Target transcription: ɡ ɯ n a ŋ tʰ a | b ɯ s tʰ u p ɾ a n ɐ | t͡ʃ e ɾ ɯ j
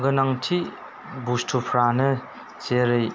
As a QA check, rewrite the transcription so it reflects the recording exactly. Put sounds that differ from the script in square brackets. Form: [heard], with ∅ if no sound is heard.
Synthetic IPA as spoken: ɡ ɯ n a ŋ tʰ [i] | b [u] s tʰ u [pʰ] ɾ a n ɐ | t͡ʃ e ɾ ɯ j